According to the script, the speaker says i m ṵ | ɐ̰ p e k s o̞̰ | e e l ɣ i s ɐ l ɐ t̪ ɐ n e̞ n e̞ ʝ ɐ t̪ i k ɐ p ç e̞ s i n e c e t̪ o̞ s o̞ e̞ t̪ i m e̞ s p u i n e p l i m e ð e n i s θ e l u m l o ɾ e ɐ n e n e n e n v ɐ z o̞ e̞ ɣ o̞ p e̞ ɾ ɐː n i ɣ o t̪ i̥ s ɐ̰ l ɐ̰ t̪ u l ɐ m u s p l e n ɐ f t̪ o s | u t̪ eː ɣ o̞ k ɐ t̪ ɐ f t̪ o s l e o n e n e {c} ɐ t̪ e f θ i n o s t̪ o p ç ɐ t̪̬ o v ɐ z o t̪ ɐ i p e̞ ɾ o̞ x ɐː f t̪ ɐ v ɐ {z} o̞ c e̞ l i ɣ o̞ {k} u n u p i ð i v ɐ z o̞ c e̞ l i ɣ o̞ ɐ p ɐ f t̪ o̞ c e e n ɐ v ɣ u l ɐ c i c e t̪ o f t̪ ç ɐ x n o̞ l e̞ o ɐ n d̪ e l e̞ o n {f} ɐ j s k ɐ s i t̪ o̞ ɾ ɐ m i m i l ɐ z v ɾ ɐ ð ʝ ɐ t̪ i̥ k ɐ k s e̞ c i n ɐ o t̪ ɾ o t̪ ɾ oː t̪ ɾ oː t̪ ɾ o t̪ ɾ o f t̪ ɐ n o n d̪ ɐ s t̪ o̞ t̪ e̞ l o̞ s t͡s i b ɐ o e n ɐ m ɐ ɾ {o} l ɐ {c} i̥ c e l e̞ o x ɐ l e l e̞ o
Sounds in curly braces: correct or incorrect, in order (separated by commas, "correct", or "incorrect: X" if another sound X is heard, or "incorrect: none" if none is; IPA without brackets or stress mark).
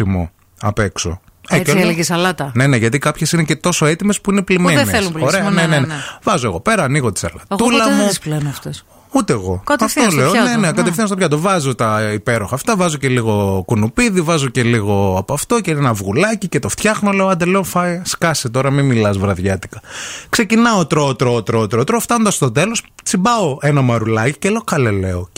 incorrect: k, correct, correct, correct, incorrect: u, correct